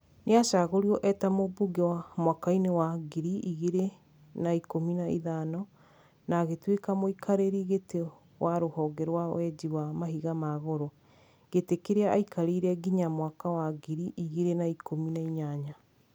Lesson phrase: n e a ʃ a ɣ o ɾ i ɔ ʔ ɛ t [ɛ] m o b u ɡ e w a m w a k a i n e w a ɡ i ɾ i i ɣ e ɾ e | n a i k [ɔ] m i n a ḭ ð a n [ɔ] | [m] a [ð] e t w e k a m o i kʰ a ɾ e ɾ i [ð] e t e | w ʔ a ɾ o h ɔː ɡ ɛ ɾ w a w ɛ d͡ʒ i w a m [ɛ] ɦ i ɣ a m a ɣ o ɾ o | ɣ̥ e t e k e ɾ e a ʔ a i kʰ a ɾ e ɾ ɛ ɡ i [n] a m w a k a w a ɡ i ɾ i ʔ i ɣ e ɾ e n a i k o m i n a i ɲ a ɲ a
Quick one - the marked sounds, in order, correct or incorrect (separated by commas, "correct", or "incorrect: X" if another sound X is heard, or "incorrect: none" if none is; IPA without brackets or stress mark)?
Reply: incorrect: a, incorrect: o, correct, incorrect: n, incorrect: ɣ, incorrect: ɣ, incorrect: a, incorrect: ɲ